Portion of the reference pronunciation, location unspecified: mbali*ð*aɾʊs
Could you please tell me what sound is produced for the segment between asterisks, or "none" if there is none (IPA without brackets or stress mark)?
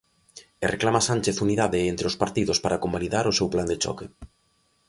ð